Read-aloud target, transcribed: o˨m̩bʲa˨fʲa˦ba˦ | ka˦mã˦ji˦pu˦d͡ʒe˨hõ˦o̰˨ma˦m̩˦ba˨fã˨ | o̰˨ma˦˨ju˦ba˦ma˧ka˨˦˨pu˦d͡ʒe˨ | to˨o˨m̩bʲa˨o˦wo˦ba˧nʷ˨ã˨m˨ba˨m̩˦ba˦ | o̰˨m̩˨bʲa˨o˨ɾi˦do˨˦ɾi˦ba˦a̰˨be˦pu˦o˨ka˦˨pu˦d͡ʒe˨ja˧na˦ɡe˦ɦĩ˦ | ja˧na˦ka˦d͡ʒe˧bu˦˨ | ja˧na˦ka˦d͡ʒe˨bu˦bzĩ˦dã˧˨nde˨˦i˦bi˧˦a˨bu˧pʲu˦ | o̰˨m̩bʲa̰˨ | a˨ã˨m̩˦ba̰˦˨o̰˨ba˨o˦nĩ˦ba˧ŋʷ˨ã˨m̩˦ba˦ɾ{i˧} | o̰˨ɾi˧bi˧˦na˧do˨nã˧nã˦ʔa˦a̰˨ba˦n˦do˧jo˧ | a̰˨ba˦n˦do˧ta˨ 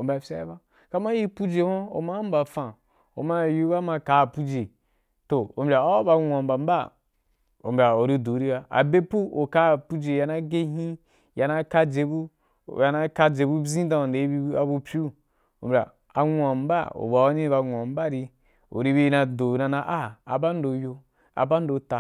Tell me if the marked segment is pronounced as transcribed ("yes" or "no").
yes